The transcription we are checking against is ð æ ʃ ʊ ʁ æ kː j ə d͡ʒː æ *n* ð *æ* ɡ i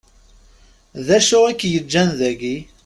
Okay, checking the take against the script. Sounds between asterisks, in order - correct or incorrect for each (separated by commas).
correct, correct